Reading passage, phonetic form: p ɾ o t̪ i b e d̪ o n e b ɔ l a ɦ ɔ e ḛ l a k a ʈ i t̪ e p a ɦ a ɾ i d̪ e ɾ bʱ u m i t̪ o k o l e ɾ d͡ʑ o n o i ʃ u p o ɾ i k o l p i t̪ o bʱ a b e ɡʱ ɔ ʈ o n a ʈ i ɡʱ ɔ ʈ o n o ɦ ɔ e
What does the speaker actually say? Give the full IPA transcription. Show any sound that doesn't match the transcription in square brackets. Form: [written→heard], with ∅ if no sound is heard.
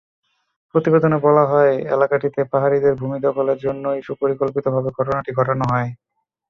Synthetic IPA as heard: p ɾ o t̪ i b e d̪ o n e b ɔ l a ɦ ɔ e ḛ l a k a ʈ i t̪ e p a ɦ a ɾ i d̪ e ɾ bʱ u m i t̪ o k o l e ɾ d͡ʑ o [n→nː] o i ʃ u p o ɾ i k o l p i t̪ o bʱ a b e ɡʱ ɔ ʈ o n a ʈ i ɡʱ ɔ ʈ o n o ɦ ɔ e